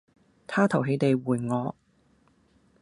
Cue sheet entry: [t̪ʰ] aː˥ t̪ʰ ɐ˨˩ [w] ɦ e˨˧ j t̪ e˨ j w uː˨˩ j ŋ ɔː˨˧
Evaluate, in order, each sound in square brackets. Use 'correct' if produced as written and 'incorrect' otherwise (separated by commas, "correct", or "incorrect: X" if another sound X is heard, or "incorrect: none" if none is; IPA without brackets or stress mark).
correct, correct